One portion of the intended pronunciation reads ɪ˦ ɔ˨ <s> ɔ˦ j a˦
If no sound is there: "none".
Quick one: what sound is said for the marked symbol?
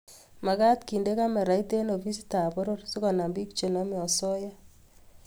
s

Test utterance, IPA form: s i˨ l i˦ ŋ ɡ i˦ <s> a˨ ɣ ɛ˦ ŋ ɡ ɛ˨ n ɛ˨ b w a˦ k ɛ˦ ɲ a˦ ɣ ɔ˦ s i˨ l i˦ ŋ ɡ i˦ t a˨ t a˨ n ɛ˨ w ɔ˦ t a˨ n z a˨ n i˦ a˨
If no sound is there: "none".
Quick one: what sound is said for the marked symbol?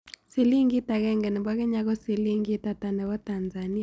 t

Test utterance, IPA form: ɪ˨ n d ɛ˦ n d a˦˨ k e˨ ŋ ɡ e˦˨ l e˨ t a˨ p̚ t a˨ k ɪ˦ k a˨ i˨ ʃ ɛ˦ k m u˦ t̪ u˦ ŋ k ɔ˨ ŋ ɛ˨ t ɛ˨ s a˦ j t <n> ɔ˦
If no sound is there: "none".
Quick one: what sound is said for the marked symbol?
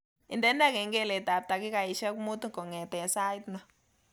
n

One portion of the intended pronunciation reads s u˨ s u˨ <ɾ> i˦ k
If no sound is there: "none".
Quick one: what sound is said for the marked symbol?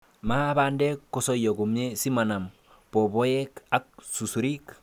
ɾ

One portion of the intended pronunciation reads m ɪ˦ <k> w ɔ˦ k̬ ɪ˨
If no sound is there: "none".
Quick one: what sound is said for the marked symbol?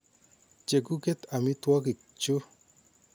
t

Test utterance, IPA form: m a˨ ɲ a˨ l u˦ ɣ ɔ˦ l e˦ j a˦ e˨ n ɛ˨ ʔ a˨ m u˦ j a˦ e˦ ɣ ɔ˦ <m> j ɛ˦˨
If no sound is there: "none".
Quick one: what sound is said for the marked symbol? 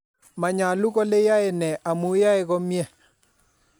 m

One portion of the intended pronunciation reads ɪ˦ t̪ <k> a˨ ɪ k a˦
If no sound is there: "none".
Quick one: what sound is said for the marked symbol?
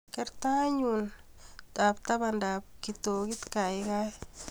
k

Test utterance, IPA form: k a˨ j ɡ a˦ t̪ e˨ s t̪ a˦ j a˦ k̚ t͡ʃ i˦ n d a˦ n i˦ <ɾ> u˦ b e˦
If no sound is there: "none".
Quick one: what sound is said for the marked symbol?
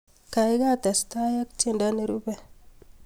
ɾ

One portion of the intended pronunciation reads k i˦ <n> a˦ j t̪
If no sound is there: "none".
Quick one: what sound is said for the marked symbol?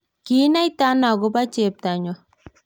n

